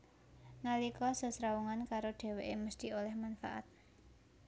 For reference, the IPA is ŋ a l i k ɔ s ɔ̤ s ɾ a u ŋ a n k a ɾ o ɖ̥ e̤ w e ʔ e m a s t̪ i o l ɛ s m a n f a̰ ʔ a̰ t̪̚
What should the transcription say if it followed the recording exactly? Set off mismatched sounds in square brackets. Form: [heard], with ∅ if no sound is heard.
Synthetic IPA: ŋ a l i k ɔ s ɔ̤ s ɾ a u ŋ a n k a ɾ o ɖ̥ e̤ w e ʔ e m [ə] s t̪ i o l ɛ [h] m a n f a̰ ʔ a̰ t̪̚